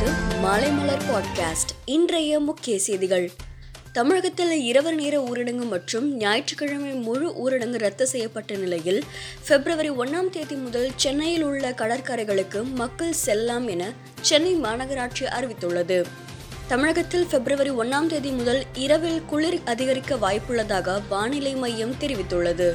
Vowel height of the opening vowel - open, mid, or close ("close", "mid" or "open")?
close